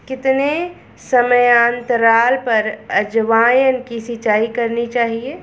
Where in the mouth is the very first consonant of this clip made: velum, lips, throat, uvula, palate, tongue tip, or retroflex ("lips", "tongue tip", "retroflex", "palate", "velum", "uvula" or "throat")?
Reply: velum